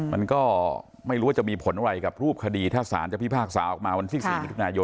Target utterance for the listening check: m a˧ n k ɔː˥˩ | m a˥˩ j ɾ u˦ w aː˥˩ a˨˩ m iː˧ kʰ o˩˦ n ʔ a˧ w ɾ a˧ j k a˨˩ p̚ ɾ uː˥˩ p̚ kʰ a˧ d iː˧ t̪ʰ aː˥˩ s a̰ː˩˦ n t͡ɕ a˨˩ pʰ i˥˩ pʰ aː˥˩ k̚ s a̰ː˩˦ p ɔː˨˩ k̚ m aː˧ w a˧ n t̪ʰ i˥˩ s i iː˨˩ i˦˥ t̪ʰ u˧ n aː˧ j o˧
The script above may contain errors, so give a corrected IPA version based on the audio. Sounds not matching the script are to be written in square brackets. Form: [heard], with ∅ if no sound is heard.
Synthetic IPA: m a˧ n k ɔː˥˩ | m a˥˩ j ɾ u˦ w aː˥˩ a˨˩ m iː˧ [pʰ] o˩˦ n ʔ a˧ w ɾ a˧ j k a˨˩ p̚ ɾ uː˥˩ p̚ kʰ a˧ d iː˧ t̪ʰ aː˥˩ s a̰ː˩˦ n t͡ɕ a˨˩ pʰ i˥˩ pʰ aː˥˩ k̚ s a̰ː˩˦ [ʔ] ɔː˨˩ k̚ m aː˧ w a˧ n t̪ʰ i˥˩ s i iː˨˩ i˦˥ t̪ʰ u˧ n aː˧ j o˧